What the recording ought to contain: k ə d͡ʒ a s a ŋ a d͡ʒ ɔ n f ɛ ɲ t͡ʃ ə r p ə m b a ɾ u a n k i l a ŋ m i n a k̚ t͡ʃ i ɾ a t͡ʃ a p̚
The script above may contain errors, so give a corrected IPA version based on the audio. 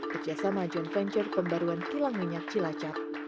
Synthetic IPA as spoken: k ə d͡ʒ a s a m a d͡ʒ ɔ n f ɛ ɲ t͡ʃ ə r p ə m b a ɾ u a n k i l a ŋ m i ɲ a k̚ t͡ʃ i l a t͡ʃ a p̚